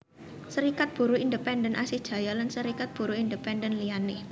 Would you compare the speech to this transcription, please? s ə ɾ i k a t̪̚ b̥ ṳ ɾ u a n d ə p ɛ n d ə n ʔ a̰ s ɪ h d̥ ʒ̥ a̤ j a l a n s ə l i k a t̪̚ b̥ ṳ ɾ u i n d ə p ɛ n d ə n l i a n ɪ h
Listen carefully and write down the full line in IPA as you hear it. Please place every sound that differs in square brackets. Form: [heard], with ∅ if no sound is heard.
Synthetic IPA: s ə ɾ i k a t̪̚ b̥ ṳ ɾ u [i] n d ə p ɛ n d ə n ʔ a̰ s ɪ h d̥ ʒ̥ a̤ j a l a n s ə [ɾ] i k a t̪̚ b̥ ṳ ɾ u i n d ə p ɛ n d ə n l i a n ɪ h